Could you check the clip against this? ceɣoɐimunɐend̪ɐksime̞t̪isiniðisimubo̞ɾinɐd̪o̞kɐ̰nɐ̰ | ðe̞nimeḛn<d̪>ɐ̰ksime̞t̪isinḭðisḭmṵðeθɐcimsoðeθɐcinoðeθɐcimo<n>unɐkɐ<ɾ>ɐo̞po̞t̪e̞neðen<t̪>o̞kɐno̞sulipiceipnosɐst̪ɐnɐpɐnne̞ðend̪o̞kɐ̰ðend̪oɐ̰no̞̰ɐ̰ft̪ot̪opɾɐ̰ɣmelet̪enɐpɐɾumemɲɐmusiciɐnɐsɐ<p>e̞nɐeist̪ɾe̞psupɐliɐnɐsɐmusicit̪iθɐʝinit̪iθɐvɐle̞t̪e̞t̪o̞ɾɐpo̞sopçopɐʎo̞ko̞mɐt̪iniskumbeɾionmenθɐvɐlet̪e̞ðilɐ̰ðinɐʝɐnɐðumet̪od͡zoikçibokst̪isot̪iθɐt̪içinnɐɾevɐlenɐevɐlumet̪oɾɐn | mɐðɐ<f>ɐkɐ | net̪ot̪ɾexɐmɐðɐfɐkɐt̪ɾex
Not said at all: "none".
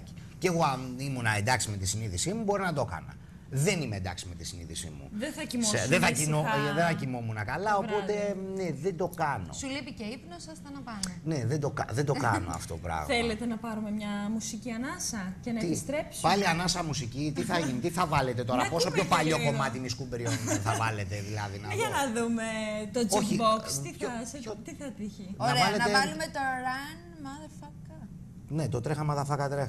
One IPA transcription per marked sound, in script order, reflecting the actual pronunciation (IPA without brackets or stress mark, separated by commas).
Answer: d̪, m, l, d̪, c, f